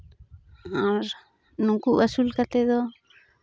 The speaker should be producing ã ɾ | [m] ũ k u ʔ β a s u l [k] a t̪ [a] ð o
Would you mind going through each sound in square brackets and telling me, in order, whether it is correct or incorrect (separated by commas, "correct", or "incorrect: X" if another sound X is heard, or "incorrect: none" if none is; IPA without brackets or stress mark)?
incorrect: n, correct, incorrect: e